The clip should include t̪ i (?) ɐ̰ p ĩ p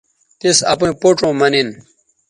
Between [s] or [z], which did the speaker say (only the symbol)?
s